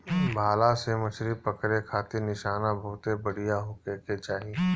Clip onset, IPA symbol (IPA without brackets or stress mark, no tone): bʱ